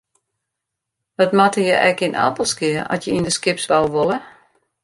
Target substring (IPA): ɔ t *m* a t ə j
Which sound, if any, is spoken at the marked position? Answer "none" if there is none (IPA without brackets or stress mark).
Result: m